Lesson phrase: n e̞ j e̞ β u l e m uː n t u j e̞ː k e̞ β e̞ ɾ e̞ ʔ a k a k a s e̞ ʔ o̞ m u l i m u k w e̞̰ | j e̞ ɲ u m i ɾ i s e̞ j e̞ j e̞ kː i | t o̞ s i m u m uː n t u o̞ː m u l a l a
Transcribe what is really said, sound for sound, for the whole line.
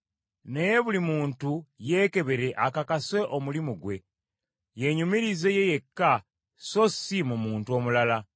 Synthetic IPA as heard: n e̞ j e̞ β u l i m uː n t u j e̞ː k e̞ β e̞ ɾ e̞ ʔ a k a k a s e̞ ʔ o̞ m u l i m u ɡ w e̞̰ | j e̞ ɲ u m i ɾ i z e̞ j e̞ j e̞ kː a | s o̞ s i m u m uː n t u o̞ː m u l a l a